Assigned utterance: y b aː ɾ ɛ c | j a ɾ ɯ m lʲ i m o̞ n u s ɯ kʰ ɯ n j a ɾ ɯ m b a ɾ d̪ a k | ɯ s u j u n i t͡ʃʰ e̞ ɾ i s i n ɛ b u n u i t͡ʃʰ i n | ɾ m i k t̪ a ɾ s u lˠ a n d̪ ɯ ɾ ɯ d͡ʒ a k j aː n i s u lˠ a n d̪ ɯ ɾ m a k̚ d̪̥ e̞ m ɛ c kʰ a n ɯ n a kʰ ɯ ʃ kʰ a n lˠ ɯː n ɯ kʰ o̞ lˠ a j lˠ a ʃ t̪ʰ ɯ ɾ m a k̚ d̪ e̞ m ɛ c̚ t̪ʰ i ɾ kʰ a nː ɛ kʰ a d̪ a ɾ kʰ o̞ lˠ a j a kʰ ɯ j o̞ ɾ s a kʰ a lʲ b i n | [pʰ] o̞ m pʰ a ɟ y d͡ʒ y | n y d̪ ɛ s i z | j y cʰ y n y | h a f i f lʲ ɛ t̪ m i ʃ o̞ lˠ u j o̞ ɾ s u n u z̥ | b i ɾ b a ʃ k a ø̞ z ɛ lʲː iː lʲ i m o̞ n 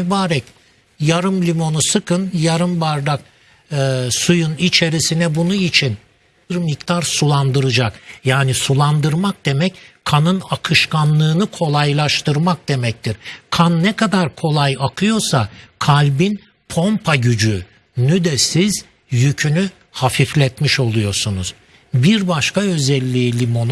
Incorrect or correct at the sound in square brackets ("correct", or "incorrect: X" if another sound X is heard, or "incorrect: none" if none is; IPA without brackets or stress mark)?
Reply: correct